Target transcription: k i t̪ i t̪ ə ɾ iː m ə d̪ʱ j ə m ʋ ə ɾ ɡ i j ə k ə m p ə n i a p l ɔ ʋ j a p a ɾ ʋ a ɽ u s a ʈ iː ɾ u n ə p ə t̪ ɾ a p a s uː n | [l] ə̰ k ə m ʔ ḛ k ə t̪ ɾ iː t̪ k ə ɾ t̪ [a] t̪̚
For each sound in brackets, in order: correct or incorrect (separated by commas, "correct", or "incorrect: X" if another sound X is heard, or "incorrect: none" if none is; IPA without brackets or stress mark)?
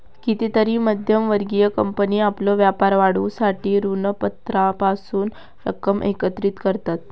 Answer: incorrect: ɾ, correct